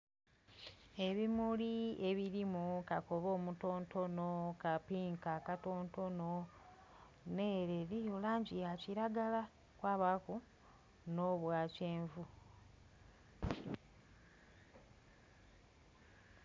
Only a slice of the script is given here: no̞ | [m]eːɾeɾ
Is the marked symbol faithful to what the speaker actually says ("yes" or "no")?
no